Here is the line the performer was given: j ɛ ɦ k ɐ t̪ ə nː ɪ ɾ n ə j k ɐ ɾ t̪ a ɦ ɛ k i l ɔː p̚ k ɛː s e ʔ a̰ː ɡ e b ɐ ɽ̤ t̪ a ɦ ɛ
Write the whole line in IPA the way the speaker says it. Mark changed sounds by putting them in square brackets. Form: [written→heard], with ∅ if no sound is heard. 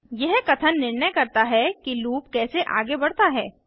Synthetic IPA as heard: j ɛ ɦ k ɐ [t̪→t̪ʰ] ə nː ɪ ɾ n ə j k ɐ ɾ t̪ a ɦ ɛ k i l [ɔː→uː] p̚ k ɛː s e ʔ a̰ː ɡ e b ɐ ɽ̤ t̪ a ɦ [ɛ→ɛː]